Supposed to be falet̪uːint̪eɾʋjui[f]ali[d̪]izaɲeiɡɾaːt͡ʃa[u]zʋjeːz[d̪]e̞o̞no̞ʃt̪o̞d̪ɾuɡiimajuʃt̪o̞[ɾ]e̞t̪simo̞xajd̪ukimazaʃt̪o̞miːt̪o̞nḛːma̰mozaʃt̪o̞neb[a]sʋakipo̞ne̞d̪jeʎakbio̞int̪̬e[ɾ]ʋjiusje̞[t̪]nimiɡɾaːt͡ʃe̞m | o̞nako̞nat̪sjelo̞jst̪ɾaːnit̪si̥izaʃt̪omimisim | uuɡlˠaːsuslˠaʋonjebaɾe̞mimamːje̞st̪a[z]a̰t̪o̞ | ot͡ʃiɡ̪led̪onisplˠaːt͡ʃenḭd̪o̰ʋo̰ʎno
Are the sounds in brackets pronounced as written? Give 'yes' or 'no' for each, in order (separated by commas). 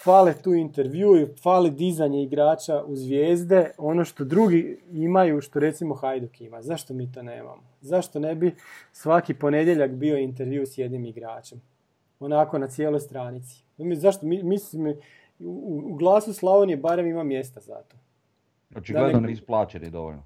yes, yes, yes, yes, yes, no, yes, no, yes